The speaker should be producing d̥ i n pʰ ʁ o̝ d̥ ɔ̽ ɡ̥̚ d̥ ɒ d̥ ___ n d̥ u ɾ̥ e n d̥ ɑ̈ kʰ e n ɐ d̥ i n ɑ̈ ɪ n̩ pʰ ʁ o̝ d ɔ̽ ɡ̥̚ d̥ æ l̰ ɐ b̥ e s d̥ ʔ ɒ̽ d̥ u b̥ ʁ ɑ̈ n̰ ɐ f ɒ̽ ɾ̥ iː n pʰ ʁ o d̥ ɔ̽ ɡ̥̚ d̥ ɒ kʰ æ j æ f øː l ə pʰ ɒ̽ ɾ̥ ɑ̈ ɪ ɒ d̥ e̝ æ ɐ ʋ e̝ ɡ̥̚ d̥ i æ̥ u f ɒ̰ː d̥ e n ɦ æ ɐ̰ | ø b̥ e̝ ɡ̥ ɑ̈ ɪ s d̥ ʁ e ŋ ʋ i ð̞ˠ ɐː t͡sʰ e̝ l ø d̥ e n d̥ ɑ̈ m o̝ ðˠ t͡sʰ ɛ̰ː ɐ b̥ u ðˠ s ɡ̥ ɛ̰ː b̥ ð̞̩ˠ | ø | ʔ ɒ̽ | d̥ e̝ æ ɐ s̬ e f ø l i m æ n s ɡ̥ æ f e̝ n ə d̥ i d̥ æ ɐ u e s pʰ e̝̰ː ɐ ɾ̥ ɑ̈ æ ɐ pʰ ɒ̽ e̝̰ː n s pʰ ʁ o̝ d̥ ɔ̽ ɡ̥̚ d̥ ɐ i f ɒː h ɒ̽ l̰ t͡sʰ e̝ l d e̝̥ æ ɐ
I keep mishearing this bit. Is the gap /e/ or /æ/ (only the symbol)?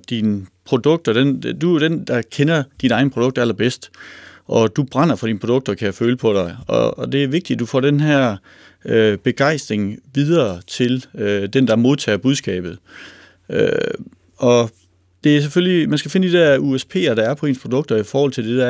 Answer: e